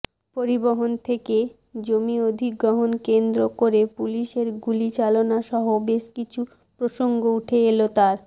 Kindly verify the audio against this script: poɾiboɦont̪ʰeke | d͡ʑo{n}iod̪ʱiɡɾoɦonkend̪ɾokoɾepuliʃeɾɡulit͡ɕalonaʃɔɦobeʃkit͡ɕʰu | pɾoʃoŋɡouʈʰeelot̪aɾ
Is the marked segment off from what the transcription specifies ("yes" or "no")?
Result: yes